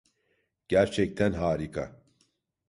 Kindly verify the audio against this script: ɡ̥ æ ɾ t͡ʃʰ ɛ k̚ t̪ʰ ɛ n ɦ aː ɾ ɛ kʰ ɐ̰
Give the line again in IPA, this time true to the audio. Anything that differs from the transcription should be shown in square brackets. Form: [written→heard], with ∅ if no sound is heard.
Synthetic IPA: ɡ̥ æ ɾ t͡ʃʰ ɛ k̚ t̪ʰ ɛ n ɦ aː ɾ [ɛ→i] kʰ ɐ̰